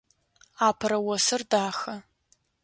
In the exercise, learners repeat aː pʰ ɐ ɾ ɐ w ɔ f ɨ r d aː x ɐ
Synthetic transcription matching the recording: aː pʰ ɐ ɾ ɐ w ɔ s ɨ r d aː x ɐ